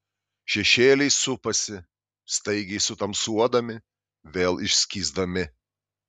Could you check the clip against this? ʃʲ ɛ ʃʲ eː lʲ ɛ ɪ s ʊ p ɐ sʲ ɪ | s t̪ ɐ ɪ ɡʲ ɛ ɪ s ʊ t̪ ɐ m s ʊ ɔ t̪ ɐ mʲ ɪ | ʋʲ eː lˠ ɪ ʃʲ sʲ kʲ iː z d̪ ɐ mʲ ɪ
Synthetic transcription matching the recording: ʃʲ ɛ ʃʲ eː lʲ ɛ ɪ s ʊ p ɐ sʲ ɪ | s t̪ ɐ ɪ ɡʲ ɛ ɪ s ʊ t̪ ɐ m s u ɔ d̪ ɐ mʲ ɪ | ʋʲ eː lˠ ɪ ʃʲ sʲ kʲ iː z d̪ ɐ mʲ ɪ